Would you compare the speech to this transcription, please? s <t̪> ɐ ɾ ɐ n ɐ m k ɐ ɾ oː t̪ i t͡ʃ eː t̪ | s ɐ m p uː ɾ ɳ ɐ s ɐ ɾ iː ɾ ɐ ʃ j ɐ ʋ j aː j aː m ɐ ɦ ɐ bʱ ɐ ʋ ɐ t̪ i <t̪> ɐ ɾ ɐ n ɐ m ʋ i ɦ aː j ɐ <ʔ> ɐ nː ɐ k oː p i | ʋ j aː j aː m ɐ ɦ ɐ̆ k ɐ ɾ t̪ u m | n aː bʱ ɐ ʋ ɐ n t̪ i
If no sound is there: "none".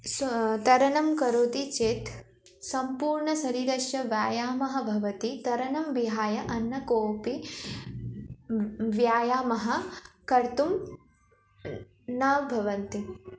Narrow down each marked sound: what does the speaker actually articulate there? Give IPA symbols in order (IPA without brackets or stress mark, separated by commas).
t̪, t̪, ʔ